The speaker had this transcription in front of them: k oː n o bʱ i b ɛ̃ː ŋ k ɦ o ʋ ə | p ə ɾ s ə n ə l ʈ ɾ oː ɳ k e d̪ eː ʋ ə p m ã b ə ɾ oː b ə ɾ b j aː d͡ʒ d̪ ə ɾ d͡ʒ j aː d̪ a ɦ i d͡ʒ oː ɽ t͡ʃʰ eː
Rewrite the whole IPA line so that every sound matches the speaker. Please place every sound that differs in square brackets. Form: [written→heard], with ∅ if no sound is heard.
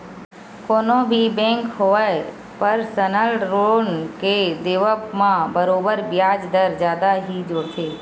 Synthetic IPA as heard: k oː n o bʱ i b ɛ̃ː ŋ k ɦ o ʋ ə | p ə ɾ s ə n ə l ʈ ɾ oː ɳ k e d̪ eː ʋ ə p m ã b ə ɾ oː b ə ɾ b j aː d͡ʒ d̪ ə ɾ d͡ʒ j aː d̪ a ɦ i d͡ʒ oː ɽ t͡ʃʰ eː

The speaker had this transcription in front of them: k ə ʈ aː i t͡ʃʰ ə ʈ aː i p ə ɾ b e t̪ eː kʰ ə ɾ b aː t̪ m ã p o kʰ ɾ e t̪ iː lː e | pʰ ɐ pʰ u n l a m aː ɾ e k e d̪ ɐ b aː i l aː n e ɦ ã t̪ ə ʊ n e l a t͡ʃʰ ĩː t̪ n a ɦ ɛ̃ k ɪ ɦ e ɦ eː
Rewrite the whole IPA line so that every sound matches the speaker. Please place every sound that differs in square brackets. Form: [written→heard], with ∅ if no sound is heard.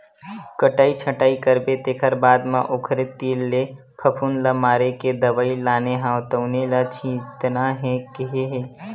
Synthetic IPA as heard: k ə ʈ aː i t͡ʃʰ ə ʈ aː i [p→k] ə ɾ b e t̪ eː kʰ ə ɾ b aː [t̪→d̪] m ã [p→ʔ] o kʰ ɾ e t̪ iː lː e | pʰ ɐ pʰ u n l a m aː ɾ e k e d̪ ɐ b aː i l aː n e ɦ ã t̪ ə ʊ n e l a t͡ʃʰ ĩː t̪ n a ɦ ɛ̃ k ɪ ɦ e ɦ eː

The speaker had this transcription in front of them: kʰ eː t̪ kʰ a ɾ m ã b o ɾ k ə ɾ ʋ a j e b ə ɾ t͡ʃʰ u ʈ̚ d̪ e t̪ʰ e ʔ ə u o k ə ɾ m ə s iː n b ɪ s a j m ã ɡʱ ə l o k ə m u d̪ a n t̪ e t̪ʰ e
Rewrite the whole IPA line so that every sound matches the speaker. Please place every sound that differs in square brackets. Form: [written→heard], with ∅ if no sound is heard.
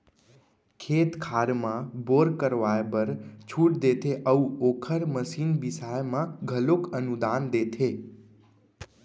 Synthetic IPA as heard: kʰ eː t̪ kʰ a ɾ m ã b o ɾ k ə ɾ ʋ a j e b ə ɾ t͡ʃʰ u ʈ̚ d̪ e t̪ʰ e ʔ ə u o [k→kʰ] ə ɾ m ə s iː n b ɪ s a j m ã ɡʱ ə l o k ə [m→n] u d̪ a n [t̪→d̪] e t̪ʰ e

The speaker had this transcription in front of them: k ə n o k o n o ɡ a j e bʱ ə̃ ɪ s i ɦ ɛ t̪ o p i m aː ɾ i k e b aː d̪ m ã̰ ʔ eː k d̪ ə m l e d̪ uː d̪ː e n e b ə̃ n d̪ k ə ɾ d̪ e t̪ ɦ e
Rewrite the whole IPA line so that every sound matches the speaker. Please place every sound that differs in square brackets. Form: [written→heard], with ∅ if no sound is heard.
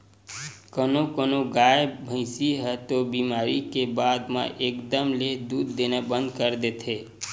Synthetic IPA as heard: k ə n o k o n o ɡ a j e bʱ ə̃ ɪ s i ɦ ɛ t̪ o [p→b] i m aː ɾ i k e b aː d̪ m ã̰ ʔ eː k d̪ ə m l e d̪ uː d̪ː e n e b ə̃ n d̪ k ə ɾ d̪ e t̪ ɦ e

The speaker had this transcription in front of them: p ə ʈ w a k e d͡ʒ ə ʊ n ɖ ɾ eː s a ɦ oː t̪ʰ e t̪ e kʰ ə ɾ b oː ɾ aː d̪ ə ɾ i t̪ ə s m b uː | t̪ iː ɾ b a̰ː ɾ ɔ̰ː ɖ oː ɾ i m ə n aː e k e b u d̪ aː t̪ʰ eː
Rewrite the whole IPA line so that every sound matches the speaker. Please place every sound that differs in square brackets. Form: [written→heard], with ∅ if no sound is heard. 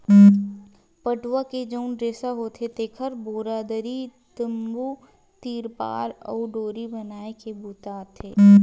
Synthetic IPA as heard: p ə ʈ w a k e d͡ʒ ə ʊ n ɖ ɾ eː s a ɦ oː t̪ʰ e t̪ e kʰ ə ɾ b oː ɾ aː d̪ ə ɾ i t̪ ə [s→∅] m b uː | t̪ iː ɾ [b→p] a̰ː ɾ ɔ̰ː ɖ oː ɾ i [m→b] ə n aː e k e b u [d̪→t̪] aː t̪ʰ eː

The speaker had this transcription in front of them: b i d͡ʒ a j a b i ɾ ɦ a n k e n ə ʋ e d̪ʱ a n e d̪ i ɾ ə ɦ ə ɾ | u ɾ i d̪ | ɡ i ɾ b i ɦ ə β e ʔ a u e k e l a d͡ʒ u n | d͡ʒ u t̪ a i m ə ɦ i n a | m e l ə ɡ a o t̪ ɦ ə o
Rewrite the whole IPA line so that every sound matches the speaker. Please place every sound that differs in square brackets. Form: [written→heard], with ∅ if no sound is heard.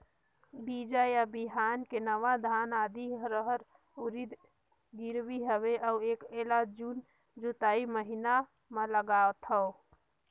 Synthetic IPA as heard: b i d͡ʒ a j a b i [ɾ→∅] ɦ a n k e n ə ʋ [e→a] d̪ʱ a n [e→a] d̪ i ɾ ə ɦ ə ɾ | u ɾ i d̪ | ɡ i ɾ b i ɦ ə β e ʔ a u e k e l a d͡ʒ u n | d͡ʒ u t̪ a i m ə ɦ i n a | m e l ə ɡ a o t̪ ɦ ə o

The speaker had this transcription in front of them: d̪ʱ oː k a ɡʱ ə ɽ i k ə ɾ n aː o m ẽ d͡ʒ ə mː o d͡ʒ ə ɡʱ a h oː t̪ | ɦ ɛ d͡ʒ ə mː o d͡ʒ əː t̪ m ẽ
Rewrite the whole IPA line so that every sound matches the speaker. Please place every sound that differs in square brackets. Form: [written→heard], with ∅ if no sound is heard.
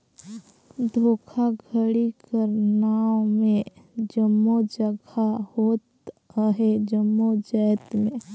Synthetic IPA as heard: d̪ʱ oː [k→kʰ] a ɡʱ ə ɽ i k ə ɾ n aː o m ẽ d͡ʒ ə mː o d͡ʒ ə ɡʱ a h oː t̪ | ɦ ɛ d͡ʒ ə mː o d͡ʒ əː t̪ m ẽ

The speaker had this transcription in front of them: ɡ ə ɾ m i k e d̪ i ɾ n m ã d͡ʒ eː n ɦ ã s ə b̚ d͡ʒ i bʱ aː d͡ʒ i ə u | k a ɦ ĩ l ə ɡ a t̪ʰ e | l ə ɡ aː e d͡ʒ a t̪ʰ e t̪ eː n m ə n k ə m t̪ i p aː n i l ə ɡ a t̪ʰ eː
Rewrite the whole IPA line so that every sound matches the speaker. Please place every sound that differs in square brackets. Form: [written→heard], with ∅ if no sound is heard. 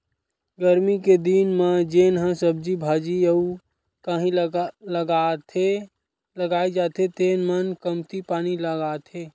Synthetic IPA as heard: ɡ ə ɾ m i k e d̪ i [ɾ→∅] n m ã d͡ʒ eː n ɦ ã s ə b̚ d͡ʒ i bʱ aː d͡ʒ i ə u | k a ɦ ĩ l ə ɡ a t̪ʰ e | l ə ɡ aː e d͡ʒ a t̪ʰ e t̪ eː n m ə n k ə m t̪ i p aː n i l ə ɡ a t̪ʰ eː

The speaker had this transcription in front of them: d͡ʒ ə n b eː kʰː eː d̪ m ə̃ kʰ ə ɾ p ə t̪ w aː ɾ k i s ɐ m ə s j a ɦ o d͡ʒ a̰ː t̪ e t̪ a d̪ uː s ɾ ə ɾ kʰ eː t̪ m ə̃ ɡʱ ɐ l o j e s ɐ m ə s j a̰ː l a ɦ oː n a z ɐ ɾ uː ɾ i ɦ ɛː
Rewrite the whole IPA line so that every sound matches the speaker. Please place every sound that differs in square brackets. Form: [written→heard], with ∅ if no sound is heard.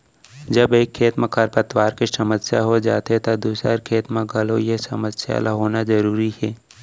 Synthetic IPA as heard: d͡ʒ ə [n→∅] b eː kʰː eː [d̪→t̪] m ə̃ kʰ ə ɾ p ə t̪ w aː ɾ k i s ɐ m ə s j a ɦ o d͡ʒ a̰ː t̪ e t̪ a d̪ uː s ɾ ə ɾ kʰ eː t̪ m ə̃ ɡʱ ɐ l o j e s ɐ m ə s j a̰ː l a ɦ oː n a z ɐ ɾ uː ɾ i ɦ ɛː

